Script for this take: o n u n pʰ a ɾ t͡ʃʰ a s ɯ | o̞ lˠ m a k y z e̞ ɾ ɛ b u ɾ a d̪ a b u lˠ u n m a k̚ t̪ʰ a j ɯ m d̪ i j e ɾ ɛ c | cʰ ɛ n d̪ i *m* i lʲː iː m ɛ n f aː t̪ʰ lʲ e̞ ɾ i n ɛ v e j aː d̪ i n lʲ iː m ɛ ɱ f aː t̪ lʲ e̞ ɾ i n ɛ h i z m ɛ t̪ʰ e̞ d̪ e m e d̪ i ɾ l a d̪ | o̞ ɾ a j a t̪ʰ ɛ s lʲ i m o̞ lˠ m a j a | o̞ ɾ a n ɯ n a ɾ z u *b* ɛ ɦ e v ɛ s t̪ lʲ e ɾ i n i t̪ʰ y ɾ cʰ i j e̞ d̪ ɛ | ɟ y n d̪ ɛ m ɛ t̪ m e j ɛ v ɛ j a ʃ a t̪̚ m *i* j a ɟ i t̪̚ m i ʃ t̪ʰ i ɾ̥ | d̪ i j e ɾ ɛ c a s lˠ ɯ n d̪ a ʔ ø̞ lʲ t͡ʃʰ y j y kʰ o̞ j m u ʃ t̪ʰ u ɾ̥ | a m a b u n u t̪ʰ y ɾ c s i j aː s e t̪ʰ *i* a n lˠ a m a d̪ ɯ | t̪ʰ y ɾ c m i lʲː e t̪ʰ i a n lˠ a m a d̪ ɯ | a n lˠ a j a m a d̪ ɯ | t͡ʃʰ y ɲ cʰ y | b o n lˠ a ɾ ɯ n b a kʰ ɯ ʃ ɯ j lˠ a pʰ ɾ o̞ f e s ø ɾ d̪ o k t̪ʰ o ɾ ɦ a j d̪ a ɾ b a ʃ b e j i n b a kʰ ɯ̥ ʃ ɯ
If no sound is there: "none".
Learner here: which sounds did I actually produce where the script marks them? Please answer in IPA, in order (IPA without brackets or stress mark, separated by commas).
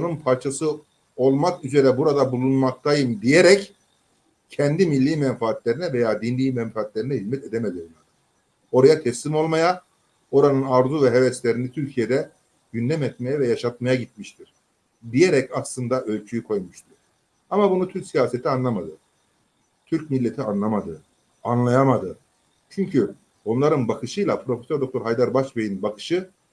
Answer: m, v, a, i